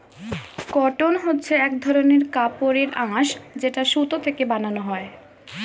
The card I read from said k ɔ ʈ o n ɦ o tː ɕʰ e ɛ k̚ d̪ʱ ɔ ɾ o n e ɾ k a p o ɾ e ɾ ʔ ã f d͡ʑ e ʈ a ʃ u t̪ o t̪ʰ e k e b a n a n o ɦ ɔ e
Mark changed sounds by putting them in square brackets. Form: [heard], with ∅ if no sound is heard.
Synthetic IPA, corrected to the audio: k ɔ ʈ o n ɦ o tː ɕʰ e ɛ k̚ d̪ʱ ɔ ɾ o n e ɾ k a p o ɾ e ɾ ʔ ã [ʃ] d͡ʑ e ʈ a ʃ u t̪ o t̪ʰ e k e b a n a n o ɦ ɔ e